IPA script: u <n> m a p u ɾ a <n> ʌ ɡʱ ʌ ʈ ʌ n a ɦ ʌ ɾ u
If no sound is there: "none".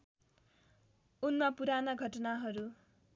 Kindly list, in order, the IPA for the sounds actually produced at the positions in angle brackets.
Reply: n, n

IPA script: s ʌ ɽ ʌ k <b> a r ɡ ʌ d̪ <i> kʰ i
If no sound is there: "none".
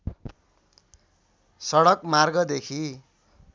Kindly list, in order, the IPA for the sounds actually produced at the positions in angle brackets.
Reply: m, e

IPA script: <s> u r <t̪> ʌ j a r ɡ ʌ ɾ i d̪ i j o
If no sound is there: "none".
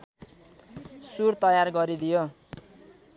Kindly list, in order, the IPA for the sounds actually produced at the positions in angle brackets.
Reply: s, t̪

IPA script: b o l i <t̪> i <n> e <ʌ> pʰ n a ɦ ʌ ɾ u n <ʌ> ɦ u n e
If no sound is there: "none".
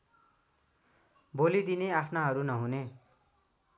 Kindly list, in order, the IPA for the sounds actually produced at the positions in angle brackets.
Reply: d̪, n, a, ʌ

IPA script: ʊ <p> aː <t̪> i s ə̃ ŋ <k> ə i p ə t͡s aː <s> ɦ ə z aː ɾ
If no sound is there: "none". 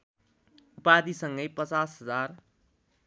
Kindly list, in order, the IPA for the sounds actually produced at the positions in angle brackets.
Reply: p, d̪, ɡ, s

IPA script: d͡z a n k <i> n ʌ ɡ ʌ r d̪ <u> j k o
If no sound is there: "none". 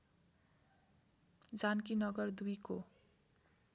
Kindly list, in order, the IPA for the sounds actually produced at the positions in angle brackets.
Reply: i, u

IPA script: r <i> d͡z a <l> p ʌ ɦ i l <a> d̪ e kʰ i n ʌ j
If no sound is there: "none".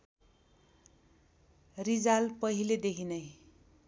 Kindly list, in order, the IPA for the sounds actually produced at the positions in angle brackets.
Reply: i, l, e

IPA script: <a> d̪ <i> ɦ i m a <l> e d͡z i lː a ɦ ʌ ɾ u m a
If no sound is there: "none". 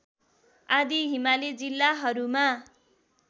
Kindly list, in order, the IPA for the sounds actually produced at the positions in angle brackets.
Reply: a, i, l

